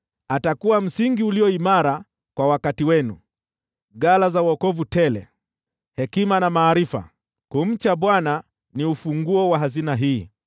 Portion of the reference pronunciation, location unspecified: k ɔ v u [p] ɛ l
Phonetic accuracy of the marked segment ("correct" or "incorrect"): incorrect